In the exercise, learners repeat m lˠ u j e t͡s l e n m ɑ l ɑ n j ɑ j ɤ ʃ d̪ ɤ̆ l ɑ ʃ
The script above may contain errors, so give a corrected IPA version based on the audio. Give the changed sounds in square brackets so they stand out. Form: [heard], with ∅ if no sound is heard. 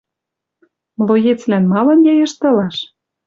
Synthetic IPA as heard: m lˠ [o] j e t͡s l [æ] n m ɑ l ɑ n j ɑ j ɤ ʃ [t̪] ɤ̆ l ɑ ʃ